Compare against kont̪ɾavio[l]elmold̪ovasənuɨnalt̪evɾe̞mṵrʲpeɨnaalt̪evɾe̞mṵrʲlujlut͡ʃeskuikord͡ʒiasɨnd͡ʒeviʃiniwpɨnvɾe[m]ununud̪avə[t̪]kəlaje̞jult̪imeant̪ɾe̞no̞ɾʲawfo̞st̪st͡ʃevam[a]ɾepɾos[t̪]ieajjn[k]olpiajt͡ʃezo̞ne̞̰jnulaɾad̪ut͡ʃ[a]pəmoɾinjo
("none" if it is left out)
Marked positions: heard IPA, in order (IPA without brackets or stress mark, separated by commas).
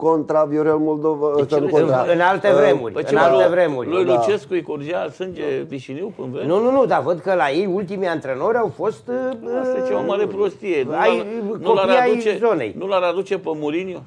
ɾ, n, d̪, a, t̪, k, e